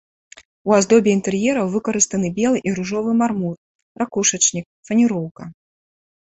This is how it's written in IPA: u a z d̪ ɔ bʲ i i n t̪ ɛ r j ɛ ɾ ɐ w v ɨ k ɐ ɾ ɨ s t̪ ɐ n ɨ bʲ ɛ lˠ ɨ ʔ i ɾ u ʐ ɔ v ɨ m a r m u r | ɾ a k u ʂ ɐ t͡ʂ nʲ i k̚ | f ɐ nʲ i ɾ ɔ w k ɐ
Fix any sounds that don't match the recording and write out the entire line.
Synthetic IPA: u a z d̪ ɔ bʲ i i n t̪ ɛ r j ɛ ɾ ɐ w v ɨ k ɐ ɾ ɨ s t̪ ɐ n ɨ bʲ ɛ lˠ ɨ ʔ i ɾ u ʐ ɔ v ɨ m a r m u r | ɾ a k u ʂ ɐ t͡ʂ nʲ i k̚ | f ɐ nʲ i ɾ ɔ w k ɐ